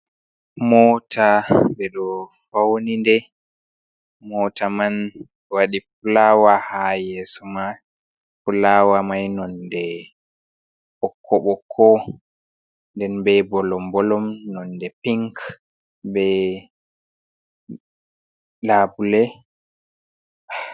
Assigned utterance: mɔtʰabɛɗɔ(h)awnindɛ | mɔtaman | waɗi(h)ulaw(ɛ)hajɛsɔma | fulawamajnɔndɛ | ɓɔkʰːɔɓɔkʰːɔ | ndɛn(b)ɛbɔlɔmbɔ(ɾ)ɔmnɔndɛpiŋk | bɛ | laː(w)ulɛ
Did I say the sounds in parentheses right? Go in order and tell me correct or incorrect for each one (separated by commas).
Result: incorrect, incorrect, incorrect, correct, incorrect, incorrect